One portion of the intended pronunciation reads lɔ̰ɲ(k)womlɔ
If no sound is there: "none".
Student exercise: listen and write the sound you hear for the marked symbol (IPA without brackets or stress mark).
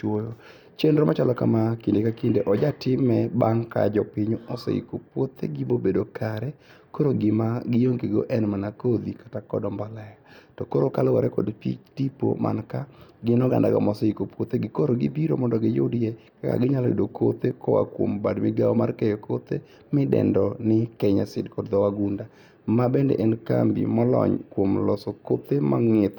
k